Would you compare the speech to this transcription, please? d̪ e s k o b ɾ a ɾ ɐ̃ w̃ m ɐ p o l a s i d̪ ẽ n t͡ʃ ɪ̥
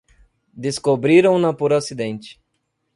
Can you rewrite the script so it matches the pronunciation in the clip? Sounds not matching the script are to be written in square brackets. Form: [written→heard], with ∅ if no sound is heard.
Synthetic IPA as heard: d̪ e s k o b ɾ [a→i] ɾ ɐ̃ w̃ [m→n] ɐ p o [l→ɾ] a s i d̪ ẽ n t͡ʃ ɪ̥

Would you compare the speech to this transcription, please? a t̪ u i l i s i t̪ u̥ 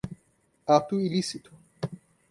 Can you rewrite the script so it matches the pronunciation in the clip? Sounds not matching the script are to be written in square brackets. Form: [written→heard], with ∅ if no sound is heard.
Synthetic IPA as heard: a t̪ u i l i s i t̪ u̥

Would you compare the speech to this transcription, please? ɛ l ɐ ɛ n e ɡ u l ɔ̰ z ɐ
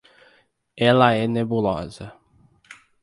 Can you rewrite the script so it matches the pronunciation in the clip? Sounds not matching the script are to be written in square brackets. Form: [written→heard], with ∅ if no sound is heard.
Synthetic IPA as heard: ɛ l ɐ ɛ n e [ɡ→b] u l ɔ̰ z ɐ

